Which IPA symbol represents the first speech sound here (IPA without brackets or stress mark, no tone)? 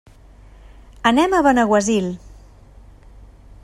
ə